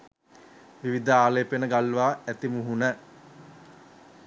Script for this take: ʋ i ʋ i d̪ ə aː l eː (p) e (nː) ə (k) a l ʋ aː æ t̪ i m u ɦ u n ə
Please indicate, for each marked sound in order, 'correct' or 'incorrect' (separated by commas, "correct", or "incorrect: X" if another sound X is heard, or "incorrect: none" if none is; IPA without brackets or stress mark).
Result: correct, incorrect: n, incorrect: ɡ